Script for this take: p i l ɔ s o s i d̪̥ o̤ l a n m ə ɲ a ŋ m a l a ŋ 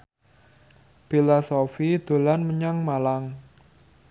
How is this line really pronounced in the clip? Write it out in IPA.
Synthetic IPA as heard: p i l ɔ s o f i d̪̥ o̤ l a n m ə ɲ a ŋ m a l a ŋ

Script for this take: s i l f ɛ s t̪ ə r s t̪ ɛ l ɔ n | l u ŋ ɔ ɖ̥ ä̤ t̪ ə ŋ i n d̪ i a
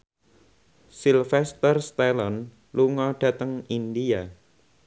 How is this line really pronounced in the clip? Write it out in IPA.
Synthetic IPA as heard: s i l f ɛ s t̪ ə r s t̪ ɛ l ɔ n | l u ŋ ɔ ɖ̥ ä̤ t̪ ə ŋ i n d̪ i a

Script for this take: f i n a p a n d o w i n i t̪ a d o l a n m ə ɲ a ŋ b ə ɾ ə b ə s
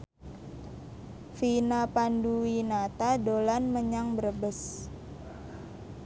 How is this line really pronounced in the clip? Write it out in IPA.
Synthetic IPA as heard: f i n a p a n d u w i n a t̪ a d o l a n m ə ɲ a ŋ b ə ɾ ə b ə s

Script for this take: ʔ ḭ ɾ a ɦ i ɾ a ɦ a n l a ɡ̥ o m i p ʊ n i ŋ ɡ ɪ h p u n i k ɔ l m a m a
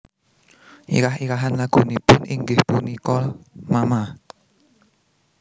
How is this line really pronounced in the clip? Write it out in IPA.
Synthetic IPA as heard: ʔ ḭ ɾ a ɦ i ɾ a ɦ a n l a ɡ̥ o n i p ʊ n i ŋ ɡ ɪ h p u n i k ɔ l m a m a

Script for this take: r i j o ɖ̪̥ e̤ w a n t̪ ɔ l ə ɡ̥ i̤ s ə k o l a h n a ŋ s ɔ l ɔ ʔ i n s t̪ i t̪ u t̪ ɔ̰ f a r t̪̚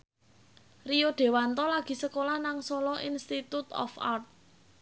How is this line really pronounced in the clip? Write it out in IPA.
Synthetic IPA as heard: r i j o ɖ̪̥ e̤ w a n t̪ ɔ l a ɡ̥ i̤ s ə k o l a h n a ŋ s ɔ l ɔ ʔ i n s t̪ i t̪ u t̪ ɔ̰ f a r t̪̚

